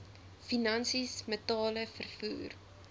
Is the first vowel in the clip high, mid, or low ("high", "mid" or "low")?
high